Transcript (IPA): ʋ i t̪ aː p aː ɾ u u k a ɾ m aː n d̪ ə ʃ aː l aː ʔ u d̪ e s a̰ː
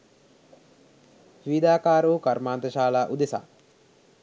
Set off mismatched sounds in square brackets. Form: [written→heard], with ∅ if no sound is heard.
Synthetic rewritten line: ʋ i [t̪→d̪] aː [p→k] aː ɾ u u k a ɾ m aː n [d̪→t̪] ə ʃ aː l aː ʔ u d̪ e s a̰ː